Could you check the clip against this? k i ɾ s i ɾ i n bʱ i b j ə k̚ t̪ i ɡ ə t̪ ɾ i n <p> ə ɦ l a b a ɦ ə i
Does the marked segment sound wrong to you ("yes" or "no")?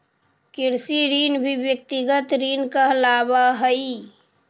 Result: yes